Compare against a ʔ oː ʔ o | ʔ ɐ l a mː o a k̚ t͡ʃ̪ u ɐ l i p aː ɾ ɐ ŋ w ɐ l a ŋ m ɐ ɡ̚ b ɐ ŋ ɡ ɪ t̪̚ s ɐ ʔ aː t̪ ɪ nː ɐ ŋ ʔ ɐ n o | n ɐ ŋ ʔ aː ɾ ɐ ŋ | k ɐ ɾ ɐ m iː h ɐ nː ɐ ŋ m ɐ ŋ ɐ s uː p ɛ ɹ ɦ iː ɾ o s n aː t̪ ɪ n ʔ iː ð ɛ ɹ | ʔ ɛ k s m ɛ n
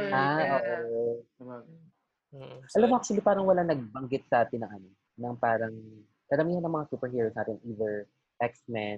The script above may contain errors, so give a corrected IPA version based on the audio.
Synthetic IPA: a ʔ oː ʔ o | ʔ ɐ l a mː o a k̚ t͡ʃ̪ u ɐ l i p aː ɾ ɐ ŋ w ɐ l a ŋ n ɐ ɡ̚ b ɐ ŋ ɡ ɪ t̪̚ s ɐ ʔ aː t̪ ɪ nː ɐ ŋ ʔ ɐ n o | n ɐ ŋ p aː ɾ ɐ ŋ | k ɐ ɾ ɐ m iː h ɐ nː ɐ ŋ m ɐ ŋ a s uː p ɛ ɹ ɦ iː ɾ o s n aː t̪ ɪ n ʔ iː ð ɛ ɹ | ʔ ɛ k s m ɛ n